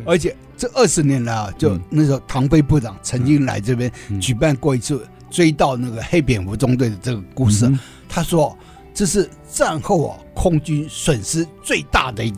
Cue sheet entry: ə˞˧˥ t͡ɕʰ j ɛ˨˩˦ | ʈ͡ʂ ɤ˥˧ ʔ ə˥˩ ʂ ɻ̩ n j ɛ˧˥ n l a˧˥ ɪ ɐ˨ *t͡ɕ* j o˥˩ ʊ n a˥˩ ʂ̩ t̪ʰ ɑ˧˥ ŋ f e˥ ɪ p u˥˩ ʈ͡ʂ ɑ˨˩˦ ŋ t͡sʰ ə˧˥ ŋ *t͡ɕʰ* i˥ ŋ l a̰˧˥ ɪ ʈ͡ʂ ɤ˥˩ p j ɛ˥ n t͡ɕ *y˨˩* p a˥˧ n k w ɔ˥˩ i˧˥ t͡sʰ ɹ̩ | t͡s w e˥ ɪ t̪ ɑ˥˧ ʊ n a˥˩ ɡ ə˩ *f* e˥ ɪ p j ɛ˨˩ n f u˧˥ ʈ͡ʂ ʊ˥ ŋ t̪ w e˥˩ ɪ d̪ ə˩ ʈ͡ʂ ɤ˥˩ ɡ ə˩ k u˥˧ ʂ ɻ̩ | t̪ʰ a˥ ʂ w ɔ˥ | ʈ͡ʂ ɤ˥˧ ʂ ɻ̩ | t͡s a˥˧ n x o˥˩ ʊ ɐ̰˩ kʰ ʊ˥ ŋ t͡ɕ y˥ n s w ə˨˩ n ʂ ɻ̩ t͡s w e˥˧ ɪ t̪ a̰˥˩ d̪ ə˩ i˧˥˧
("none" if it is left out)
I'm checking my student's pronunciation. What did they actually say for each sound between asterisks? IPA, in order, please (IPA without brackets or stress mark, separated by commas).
t͡ɕ, t͡ɕ, y˨˩, x